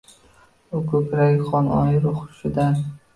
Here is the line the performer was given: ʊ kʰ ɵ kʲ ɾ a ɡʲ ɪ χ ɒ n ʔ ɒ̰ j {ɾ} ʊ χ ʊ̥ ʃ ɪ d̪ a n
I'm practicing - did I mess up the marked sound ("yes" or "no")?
no